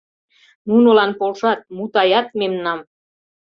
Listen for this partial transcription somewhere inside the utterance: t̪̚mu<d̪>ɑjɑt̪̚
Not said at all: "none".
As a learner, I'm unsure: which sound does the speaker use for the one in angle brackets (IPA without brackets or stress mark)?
t̪